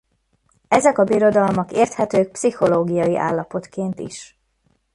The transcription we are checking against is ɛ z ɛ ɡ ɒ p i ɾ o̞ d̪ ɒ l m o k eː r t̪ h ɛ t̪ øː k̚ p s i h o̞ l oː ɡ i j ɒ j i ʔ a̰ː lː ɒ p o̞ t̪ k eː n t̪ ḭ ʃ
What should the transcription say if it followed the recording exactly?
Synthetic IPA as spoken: ɛ z ɛ k ɒ b i ɾ o̞ d̪ ɒ l m ɒ k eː r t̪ h ɛ t̪ øː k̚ p s i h o̞ l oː ɡ i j ɒ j i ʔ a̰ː lː ɒ p o̞ t̪ k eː n t̪ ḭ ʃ